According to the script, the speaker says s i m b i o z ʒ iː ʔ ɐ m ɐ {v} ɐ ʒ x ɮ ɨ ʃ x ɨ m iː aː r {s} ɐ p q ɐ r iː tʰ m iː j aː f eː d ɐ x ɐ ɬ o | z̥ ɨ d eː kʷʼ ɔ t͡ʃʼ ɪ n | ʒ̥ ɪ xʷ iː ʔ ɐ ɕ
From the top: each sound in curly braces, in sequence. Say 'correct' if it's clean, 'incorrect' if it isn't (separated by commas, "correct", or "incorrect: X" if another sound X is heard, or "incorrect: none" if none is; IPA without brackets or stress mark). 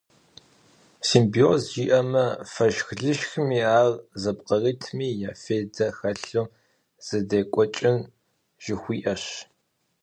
incorrect: f, incorrect: z